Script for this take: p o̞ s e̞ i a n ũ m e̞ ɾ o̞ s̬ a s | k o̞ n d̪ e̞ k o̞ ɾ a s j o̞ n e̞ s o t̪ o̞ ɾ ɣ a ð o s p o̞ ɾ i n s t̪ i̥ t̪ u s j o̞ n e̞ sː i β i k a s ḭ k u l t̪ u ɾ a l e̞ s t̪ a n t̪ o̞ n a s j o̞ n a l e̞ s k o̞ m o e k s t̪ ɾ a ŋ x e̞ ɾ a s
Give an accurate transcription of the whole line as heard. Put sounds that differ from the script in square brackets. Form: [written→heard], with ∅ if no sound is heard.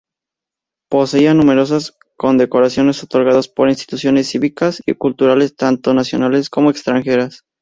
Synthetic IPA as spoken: p o̞ s e̞ i a n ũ m e̞ ɾ o̞ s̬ a s | k o̞ n d̪ e̞ k o̞ ɾ a s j o̞ n e̞ s o t̪ o̞ ɾ ɣ a ð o s p o̞ ɾ i n s t̪ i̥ t̪ u s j o̞ n e̞ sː i β i k a s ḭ k u l t̪ u ɾ a l e̞ s t̪ a n t̪ o̞ n a s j o̞ n a l e̞ s k o̞ m o e k s t̪ ɾ a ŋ x e̞ ɾ a s